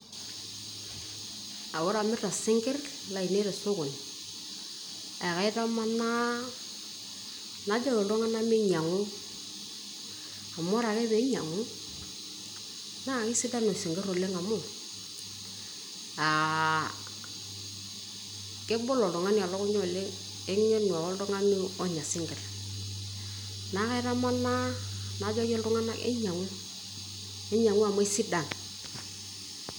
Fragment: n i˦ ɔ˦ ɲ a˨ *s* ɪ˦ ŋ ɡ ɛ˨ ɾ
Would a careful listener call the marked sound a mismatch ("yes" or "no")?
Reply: no